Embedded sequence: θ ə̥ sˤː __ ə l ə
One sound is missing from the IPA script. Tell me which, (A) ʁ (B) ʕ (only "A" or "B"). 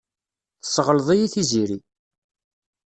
A